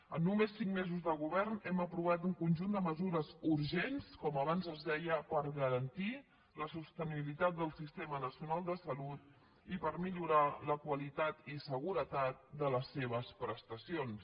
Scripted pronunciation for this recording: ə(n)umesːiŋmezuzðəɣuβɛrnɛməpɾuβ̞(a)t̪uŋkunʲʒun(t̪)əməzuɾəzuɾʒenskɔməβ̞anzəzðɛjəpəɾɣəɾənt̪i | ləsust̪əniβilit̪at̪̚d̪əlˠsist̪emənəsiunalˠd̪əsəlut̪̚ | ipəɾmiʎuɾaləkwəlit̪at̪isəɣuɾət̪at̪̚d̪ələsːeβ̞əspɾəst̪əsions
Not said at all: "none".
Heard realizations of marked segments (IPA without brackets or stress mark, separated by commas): nː, a, d̪